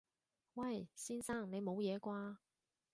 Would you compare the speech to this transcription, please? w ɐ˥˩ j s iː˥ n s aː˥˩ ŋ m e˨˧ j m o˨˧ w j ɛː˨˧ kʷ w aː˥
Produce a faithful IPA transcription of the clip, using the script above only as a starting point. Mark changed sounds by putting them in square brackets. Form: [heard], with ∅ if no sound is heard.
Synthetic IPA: w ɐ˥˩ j s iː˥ n s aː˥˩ ŋ [n] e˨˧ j m o˨˧ w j ɛː˨˧ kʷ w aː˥